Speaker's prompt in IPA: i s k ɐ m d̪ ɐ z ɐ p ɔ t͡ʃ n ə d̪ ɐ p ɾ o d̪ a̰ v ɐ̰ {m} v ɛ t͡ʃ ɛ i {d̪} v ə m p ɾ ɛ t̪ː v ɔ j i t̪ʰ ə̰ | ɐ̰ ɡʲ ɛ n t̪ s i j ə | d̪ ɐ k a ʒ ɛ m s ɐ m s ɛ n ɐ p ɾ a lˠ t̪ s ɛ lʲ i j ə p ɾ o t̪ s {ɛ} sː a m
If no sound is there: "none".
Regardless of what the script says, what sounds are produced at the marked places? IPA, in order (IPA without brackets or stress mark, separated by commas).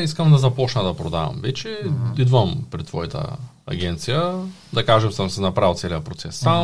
m, d̪, ɛ